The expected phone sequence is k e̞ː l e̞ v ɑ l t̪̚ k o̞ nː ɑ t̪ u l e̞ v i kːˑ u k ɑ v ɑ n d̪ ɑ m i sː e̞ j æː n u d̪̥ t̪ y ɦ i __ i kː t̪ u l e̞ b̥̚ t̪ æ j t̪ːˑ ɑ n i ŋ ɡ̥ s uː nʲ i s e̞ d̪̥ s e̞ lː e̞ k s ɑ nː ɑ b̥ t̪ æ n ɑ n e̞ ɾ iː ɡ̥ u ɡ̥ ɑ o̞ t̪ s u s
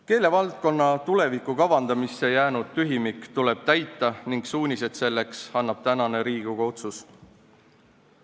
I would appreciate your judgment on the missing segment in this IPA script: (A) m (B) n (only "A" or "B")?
A